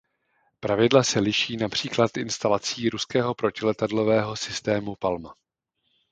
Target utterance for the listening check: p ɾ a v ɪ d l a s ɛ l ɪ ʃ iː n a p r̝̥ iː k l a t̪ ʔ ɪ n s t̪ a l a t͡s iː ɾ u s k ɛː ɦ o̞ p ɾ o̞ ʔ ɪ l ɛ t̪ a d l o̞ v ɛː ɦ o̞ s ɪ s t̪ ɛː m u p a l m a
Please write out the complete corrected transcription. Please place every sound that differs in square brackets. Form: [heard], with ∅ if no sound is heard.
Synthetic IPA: p ɾ a v ɪ d l a s ɛ l ɪ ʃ iː n a p r̝̥ iː k l a t̪ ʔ ɪ n s t̪ a l a t͡s iː ɾ u s k ɛː ɦ o̞ p ɾ o̞ [c] ɪ l ɛ t̪ a d l o̞ v ɛː ɦ o̞ s ɪ s t̪ ɛː m u p a l m a